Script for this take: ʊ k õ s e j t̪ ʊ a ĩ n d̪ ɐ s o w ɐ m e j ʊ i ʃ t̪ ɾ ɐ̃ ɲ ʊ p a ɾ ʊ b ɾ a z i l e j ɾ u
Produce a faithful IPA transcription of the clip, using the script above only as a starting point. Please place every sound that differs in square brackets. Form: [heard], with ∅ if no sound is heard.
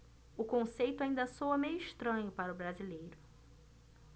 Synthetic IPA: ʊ k õ s e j t̪ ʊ a ĩ n d̪ ɐ s o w ɐ m e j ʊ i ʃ t̪ ɾ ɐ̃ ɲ ʊ p a ɾ ʊ b ɾ a z i l e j ɾ [ʊ]